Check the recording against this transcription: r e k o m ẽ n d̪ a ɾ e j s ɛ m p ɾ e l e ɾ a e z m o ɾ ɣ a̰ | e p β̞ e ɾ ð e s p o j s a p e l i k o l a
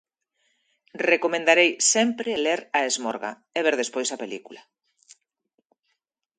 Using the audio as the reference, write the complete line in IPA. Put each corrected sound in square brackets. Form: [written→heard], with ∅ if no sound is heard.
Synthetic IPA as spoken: r e k o m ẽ n d̪ a ɾ e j s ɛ m p ɾ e l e ɾ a e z m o ɾ ɣ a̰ | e [p→∅] β̞ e ɾ ð e s p o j s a p e l i k [o→u] l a

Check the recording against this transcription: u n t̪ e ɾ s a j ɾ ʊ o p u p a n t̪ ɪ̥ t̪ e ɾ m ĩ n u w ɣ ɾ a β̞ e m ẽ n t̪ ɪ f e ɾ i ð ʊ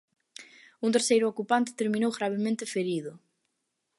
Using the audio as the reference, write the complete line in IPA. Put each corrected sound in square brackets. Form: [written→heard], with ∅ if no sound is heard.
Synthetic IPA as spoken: u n t̪ e ɾ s [a→e] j ɾ ʊ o [p→k] u p a n t̪ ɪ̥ t̪ e ɾ m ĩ n [u→o] w ɣ ɾ a β̞ e m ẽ n t̪ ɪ f e ɾ i ð ʊ

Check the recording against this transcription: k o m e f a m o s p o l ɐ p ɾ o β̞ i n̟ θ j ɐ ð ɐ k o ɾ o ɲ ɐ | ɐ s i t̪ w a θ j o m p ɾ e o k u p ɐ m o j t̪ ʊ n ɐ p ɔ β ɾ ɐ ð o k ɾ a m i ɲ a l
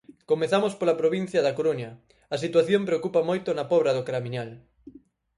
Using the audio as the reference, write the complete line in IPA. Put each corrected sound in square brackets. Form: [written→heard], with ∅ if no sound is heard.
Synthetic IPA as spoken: k o m e [f→θ] a m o s p o l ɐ p ɾ o β̞ i n̟ θ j ɐ ð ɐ k o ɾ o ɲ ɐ | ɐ s i t̪ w a θ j o m p ɾ e o k u p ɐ m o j t̪ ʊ n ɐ p ɔ β ɾ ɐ ð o k ɾ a m i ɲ a l

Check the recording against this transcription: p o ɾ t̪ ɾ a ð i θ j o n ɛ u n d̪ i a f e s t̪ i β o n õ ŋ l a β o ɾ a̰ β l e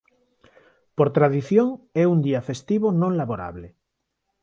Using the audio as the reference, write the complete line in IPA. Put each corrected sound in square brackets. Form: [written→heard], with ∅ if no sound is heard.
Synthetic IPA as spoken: p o ɾ t̪ ɾ a ð i θ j o [n→ŋ] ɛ u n d̪ i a f e s t̪ i β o n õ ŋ l a β o ɾ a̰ β l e

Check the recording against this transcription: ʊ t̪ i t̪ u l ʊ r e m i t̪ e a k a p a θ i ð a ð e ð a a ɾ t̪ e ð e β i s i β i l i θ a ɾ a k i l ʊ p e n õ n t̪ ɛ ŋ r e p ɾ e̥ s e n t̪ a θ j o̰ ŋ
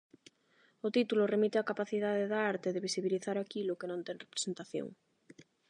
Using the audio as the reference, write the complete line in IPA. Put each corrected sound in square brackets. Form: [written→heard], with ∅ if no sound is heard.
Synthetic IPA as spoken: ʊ t̪ i t̪ u l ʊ r e m i t̪ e a k a p a θ i ð a ð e ð a a ɾ t̪ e ð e β i s i β i l i θ a ɾ a k i l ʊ [p→k] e n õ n t̪ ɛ ŋ r e p ɾ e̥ s e n t̪ a θ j o̰ ŋ

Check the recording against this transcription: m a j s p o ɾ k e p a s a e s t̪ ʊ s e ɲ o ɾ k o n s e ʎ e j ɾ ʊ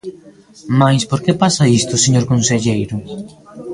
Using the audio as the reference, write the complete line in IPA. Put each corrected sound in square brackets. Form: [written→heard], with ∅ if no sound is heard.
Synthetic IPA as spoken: m a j s p o ɾ k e p a s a [e→i] s t̪ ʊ s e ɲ o ɾ k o n s e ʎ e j ɾ ʊ

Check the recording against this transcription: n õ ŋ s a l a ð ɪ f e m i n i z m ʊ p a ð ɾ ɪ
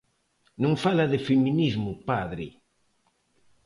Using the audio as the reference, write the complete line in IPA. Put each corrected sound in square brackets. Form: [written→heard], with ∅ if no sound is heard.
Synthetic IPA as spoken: n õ ŋ [s→f] a l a ð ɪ f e m i n i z m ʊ p a ð ɾ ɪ

